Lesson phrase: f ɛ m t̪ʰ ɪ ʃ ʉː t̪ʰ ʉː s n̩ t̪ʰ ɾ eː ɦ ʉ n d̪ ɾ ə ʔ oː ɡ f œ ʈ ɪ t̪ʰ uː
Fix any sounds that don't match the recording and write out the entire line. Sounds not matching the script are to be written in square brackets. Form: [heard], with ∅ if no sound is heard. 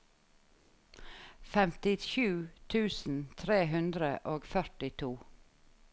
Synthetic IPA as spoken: f ɛ m [t̪] ɪ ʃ ʉː t̪ʰ ʉː s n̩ t̪ʰ ɾ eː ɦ ʉ n d̪ ɾ ə ʔ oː ɡ f œ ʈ ɪ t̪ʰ uː